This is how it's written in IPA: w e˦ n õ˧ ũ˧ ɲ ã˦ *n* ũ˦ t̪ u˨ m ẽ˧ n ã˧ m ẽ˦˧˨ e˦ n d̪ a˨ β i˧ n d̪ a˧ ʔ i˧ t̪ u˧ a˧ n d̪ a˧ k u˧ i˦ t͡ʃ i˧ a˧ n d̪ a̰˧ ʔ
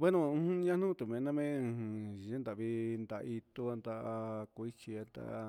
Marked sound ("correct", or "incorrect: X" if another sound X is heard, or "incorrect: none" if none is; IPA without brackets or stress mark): correct